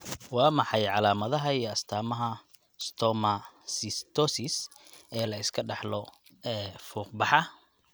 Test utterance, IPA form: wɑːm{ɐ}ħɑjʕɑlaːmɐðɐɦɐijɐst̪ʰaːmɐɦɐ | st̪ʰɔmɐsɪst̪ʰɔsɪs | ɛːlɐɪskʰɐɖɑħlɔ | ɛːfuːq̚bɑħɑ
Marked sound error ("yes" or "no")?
yes